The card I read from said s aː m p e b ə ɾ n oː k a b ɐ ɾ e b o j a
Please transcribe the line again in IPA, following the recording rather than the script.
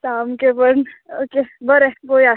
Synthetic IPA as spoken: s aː m k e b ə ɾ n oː k e b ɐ ɾ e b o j a